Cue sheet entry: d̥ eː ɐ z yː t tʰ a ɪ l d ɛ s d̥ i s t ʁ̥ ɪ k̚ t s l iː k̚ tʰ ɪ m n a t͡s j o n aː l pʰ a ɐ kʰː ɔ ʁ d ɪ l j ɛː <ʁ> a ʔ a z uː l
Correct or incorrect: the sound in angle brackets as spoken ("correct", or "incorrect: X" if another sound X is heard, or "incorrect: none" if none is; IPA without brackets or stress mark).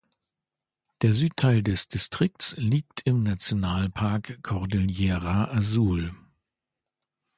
correct